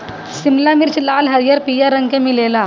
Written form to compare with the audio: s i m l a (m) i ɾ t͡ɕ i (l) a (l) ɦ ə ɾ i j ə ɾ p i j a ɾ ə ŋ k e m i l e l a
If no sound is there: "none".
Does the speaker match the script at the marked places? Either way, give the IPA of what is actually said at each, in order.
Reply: m, l, l

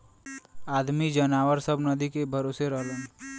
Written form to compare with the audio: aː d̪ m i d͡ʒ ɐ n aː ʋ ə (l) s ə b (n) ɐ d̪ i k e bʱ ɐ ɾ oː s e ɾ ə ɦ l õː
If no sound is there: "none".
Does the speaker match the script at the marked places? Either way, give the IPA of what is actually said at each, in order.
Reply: ɾ, n

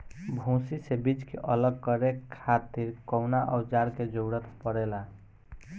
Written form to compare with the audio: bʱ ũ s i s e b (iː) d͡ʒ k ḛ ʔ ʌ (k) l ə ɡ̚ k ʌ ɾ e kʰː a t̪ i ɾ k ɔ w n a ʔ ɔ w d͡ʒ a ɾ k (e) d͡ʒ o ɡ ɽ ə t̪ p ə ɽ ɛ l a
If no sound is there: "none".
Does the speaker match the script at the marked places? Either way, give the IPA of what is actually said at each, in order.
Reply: i, none, e

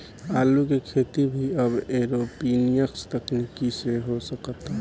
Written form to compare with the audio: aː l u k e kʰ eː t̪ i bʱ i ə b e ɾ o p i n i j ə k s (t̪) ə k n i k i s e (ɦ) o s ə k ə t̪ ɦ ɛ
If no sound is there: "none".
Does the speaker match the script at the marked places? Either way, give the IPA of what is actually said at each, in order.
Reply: t̪, ɦ

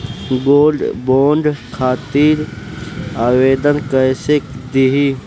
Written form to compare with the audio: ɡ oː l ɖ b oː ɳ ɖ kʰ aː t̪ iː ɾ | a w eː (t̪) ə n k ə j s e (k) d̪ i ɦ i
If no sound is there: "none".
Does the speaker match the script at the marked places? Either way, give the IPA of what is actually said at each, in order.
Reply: d̪, k

